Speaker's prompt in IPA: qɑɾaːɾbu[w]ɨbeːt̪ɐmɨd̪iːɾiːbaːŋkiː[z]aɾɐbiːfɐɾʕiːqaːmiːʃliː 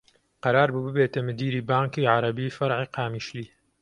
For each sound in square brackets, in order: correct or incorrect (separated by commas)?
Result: incorrect, incorrect